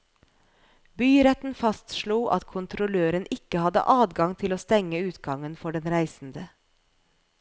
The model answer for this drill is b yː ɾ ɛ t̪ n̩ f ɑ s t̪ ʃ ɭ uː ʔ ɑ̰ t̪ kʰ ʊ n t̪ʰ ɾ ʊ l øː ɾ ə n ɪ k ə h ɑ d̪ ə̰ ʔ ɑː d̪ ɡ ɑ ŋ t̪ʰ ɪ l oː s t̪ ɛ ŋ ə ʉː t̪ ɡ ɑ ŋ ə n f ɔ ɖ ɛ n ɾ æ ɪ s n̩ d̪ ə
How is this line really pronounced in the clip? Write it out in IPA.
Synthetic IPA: b yː ɾ ɛ t̪ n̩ f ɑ s t̪ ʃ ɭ uː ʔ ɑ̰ t̪ kʰ ʊ n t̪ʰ ɾ ʊ l øː ɾ ə n ɪ k ə h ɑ d̪ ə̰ ʔ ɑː d̪ ɡ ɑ ŋ t̪ʰ ɪ l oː s t̪ ɛ ŋ ə ʉː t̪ ɡ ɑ ŋ ə n f ɔ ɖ ɛ n ɾ æ ɪ s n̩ d̪ ə